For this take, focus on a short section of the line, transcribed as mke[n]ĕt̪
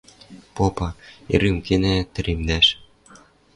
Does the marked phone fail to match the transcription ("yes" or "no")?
no